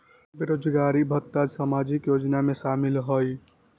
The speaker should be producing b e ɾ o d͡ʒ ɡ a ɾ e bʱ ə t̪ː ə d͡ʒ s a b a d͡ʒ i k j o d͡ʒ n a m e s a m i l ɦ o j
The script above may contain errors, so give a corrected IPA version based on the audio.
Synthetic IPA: b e ɾ o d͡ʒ ɡ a ɾ i bʱ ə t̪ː a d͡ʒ s a m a d͡ʒ i k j o d͡ʒ n a m e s a m i l ɦ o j

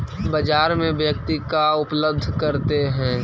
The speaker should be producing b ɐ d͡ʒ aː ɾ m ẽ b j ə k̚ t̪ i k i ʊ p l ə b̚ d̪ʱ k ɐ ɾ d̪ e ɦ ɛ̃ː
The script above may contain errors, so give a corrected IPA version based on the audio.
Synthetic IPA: b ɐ d͡ʒ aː ɾ m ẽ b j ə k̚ t̪ i k a ʊ p l ə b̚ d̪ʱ k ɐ ɾ t̪ e ɦ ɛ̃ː

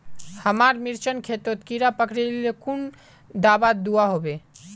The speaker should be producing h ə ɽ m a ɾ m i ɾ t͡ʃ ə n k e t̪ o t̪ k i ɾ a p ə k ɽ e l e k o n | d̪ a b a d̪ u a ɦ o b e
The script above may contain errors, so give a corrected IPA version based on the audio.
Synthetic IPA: h ə m a ɾ m i ɾ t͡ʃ ə n kʰ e t̪ o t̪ k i ɾ a p ə k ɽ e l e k u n | d̪ a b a d̪ u a ɦ o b e

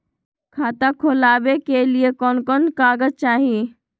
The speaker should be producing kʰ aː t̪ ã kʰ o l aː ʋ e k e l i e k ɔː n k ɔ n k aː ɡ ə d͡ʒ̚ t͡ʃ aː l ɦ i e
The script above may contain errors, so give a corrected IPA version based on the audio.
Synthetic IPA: kʰ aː t̪ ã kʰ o l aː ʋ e k e l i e k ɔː n k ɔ n k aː ɡ ə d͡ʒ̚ t͡ʃ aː ɦ i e

